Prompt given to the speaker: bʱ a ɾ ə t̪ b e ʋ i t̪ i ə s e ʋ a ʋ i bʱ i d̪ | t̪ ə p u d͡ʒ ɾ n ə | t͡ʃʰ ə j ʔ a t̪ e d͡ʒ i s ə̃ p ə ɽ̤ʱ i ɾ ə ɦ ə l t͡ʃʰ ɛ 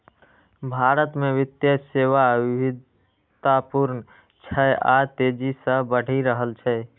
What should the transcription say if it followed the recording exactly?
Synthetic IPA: bʱ a ɾ ə t̪ m e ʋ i t̪ j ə s e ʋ a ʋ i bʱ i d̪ | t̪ a p u ɾ n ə | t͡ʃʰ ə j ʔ a t̪ e d͡ʒ i s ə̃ b ə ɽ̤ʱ i ɾ ə ɦ ə l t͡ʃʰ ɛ

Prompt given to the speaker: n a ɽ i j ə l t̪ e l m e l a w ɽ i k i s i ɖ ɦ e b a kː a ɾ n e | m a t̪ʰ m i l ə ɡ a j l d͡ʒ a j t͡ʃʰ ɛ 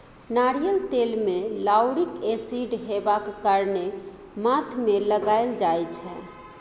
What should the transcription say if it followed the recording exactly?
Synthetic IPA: n a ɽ i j ə l t̪ e l m e l a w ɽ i k e s i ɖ ɦ e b a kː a ɾ n e | m a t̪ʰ m e l ə ɡ a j l d͡ʒ a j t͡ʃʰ ɛ

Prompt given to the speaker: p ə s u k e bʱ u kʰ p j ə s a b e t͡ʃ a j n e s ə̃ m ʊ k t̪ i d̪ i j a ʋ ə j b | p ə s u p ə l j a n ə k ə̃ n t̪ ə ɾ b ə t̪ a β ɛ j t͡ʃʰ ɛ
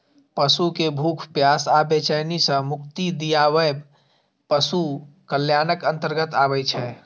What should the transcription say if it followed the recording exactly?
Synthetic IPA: p ə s u k e bʱ u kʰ p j a s a b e t͡ʃ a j n i s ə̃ m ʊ k t̪ i d̪ i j a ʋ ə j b | p ə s u k ə l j a n ə k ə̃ n t̪ ə ɾ ɡ ə t̪ a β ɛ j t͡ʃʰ ɛ

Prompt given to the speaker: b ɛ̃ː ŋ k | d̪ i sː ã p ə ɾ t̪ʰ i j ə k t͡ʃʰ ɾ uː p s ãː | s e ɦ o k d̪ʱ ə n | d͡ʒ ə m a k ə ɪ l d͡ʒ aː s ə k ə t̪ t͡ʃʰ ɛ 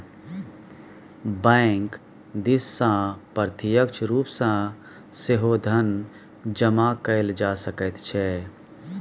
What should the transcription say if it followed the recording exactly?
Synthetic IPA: b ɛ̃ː ŋ k | d̪ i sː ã p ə ɾ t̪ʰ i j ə k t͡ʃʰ ɾ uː p s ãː | s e ɦ o d̪ʱ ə n | d͡ʒ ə m a k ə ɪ l d͡ʒ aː s ə k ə t̪ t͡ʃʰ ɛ

